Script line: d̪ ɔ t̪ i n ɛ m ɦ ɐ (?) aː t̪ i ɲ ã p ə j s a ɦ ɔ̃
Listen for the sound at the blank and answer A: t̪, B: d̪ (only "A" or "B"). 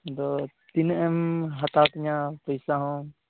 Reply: A